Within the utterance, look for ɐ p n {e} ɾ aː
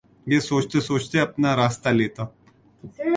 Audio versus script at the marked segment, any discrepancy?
yes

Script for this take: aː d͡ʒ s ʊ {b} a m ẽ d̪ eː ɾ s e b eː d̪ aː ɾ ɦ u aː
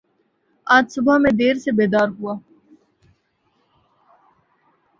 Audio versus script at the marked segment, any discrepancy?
no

